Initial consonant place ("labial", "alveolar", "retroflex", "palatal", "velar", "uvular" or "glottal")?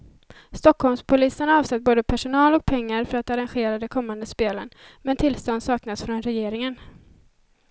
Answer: alveolar